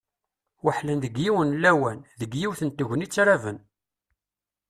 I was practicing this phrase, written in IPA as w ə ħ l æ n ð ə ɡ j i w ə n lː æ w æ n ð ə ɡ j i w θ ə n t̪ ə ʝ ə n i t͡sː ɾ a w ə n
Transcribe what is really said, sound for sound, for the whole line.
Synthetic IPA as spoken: w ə ħ l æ n ð ə ɡ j i w ə n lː æ w æ n ð ə ɡ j i w θ ə n t̪ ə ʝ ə n i t͡sː ɾ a v ə n